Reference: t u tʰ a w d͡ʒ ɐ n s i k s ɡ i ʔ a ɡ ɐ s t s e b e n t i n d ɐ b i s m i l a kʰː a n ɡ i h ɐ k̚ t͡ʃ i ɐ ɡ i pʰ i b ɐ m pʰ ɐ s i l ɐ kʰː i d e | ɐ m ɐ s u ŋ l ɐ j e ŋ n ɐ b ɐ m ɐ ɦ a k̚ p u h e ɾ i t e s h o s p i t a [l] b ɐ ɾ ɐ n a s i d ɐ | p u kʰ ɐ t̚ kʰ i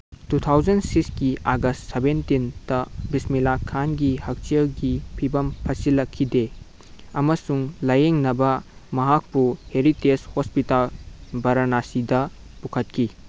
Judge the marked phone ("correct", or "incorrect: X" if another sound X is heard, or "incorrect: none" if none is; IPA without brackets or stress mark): correct